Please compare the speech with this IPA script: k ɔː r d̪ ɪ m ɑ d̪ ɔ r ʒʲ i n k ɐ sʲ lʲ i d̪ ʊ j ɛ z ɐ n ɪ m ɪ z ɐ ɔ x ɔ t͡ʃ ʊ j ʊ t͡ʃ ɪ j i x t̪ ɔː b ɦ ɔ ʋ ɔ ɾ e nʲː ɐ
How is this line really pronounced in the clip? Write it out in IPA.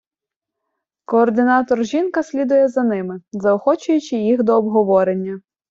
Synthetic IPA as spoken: k ɔː r d̪ ɪ n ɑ t̪ ɔ r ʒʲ i n k ɐ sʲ lʲ i d̪ ʊ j ɛ z ɐ n ɪ m ɪ z ɐ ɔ x ɔ t͡ʃ ʊ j ʊ t͡ʃ ɪ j i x d̪ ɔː b ɦ ɔ ʋ ɔ ɾ e nʲː ɐ